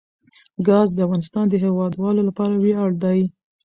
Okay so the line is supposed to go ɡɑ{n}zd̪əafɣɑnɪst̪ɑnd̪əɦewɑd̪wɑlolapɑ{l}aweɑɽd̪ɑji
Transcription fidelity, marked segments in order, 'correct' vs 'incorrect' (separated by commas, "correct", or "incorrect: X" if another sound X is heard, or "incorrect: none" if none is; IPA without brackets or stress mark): incorrect: none, incorrect: ɾ